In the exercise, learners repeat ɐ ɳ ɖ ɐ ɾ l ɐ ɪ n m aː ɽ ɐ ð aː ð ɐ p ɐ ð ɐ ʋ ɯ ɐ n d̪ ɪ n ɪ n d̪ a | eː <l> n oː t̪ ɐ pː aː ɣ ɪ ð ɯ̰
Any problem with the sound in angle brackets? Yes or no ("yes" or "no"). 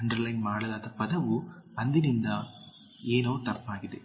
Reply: yes